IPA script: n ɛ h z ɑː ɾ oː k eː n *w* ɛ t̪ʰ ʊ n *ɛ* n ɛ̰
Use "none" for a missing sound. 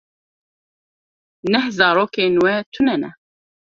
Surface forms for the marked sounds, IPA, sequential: w, ɛ

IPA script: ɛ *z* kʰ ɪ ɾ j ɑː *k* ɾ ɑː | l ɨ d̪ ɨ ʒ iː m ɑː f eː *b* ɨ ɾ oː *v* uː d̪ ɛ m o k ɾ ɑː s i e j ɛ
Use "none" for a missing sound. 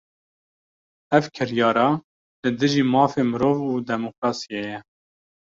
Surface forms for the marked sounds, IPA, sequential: v, none, m, v

